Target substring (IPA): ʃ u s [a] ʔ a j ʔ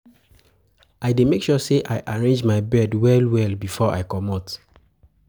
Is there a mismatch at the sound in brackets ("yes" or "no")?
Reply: yes